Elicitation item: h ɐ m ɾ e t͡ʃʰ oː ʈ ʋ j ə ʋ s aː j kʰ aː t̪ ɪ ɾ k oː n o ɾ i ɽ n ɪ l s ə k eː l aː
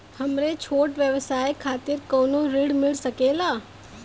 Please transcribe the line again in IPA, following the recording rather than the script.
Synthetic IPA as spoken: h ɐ m ɾ e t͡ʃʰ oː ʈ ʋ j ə ʋ s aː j kʰ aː t̪ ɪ ɾ k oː n o ɾ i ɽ m ɪ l s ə k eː l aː